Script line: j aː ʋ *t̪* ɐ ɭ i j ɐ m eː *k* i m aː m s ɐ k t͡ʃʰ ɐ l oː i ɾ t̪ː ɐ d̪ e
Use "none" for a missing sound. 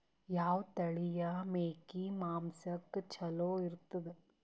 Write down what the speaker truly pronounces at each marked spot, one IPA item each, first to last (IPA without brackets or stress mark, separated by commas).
t̪, k